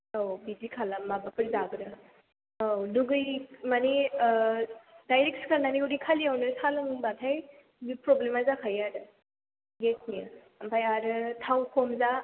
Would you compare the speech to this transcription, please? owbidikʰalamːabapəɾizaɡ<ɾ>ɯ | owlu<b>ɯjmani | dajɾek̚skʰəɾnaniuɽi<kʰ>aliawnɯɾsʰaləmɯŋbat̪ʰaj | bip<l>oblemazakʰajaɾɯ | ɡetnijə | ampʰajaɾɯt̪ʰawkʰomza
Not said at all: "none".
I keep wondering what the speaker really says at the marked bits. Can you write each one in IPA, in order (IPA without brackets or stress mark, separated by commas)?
ɾ, ɡ, kʰ, ɾ